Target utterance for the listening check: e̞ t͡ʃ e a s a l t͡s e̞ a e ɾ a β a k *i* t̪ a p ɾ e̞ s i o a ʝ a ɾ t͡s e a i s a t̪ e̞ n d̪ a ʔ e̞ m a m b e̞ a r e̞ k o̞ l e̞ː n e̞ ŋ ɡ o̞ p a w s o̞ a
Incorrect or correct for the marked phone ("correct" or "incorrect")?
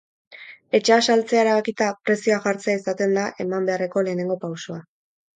correct